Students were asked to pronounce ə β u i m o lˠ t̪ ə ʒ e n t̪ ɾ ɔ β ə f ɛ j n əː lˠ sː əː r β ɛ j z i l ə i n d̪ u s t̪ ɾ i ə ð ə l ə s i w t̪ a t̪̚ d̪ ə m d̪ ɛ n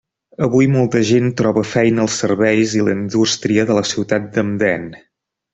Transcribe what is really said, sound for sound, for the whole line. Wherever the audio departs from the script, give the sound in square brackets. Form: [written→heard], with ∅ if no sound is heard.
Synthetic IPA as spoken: ə β u [i→j] m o lˠ t̪ ə ʒ e n t̪ ɾ ɔ β ə f ɛ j n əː lˠ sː [əː→ə] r β ɛ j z i l ə i n d̪ u s t̪ ɾ i ə ð ə l ə s i w t̪ a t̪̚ d̪ ə m d̪ ɛ n